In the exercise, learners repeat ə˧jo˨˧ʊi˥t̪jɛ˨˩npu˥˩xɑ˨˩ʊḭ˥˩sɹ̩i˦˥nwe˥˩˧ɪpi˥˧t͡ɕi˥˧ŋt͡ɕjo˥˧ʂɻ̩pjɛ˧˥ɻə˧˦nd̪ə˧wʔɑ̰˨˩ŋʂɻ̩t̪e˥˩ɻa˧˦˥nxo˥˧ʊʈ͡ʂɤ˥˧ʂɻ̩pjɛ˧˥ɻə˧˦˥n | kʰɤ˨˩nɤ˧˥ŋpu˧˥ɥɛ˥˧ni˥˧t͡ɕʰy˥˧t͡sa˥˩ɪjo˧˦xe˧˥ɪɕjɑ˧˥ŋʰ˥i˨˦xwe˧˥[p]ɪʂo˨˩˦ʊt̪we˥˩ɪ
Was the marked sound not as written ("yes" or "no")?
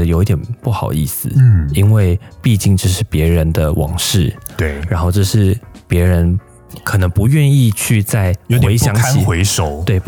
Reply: yes